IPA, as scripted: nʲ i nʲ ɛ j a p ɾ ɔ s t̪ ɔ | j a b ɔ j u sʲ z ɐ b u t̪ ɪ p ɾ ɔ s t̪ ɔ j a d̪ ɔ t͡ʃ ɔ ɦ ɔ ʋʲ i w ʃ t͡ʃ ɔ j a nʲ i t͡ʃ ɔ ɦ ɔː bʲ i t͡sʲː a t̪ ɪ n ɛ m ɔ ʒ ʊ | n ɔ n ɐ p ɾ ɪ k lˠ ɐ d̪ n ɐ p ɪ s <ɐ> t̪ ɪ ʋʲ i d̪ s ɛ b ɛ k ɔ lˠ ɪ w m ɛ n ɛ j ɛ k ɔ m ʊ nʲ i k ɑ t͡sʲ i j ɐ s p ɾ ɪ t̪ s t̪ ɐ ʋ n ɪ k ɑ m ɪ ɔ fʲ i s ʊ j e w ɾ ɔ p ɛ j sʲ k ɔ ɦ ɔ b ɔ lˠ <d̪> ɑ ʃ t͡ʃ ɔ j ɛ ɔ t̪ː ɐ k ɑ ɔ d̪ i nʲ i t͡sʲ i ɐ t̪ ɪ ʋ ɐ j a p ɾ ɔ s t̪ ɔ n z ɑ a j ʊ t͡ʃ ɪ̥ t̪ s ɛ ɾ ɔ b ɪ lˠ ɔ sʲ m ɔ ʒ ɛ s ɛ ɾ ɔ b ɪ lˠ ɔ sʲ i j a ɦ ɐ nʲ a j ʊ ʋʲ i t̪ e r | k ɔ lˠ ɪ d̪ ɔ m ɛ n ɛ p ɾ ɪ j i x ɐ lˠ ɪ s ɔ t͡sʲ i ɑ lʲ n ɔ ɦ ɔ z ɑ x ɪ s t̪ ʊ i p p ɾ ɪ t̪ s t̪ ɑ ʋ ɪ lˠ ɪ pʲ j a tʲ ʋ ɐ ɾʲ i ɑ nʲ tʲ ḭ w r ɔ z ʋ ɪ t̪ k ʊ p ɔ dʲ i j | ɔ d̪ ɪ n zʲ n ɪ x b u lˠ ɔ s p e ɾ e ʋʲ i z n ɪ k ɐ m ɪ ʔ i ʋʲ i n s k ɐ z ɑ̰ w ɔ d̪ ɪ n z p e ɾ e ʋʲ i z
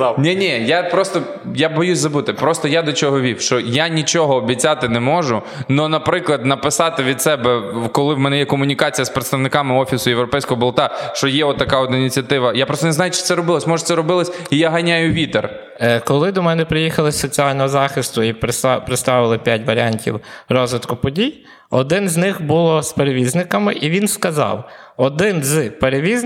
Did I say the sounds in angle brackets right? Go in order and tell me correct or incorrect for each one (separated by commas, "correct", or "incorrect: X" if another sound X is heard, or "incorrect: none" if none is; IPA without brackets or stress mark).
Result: incorrect: ɑ, incorrect: t̪